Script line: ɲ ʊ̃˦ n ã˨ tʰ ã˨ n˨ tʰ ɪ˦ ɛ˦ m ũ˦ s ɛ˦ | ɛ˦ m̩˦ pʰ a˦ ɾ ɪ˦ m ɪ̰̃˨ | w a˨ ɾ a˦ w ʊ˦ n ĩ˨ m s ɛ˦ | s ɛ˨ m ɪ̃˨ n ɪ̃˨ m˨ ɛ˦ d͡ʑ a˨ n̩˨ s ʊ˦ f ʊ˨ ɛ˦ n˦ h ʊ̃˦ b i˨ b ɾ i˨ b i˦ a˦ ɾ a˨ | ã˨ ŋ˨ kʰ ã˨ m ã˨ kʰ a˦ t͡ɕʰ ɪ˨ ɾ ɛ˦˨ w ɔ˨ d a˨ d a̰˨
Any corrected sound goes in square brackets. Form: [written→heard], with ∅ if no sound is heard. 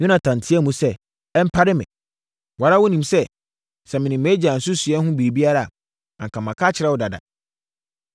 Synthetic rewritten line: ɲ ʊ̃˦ n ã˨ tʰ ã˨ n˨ tʰ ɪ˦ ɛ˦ m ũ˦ s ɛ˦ | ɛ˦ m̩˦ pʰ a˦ ɾ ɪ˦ m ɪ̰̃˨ | w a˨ ɾ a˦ w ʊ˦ n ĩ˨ m s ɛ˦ | s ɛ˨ m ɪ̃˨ n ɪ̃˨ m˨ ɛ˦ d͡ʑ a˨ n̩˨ s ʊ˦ [f→s] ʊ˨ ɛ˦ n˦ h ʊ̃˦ b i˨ [b→∅] ɾ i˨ b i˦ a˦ ɾ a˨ | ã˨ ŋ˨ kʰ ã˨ m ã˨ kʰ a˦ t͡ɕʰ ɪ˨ ɾ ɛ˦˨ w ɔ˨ d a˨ d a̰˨